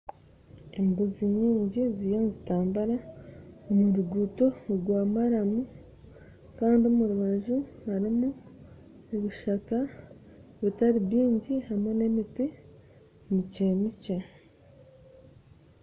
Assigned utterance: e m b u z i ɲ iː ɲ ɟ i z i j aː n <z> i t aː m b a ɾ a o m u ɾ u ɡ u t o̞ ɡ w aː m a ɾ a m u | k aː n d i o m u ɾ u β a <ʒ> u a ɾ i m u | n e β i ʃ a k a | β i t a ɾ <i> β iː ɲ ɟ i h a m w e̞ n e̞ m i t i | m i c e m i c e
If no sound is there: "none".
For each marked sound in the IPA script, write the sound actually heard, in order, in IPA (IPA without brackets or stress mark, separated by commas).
z, ʒ, i